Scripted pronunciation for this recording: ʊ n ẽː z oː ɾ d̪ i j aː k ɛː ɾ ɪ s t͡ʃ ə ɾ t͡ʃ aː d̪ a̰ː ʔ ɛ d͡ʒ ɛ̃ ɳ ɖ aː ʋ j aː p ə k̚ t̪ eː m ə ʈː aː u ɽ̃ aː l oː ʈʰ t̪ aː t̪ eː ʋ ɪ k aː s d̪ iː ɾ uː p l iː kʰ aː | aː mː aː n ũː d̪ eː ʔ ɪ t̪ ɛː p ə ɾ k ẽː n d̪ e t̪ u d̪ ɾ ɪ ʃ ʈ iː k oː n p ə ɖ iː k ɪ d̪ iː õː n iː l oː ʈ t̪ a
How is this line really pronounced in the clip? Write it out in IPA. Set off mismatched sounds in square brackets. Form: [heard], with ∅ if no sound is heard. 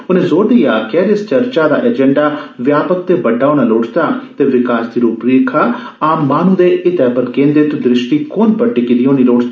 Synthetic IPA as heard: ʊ n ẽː z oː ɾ d̪ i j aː k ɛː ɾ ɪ s t͡ʃ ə ɾ t͡ʃ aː d̪ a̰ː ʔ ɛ d͡ʒ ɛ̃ ɳ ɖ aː ʋ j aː p ə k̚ t̪ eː [b] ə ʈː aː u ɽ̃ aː l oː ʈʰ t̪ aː t̪ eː ʋ ɪ k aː s d̪ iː ɾ uː p [ɾ] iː kʰ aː | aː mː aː n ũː d̪ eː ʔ ɪ t̪ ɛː p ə ɾ k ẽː n d̪ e t̪ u d̪ ɾ ɪ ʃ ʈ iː k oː n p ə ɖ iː k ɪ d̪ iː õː n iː l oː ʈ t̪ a